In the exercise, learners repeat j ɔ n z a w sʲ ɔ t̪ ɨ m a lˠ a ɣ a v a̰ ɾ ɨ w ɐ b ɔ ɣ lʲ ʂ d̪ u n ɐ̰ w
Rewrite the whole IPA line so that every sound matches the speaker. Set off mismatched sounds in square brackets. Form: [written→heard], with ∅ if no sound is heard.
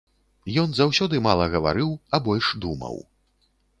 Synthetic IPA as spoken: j ɔ n z a w sʲ ɔ [t̪→d̪] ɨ m a lˠ [a→ɐ] ɣ [a→ɐ] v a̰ ɾ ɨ w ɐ b ɔ [ɣ→∅] lʲ ʂ d̪ u [n→m] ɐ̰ w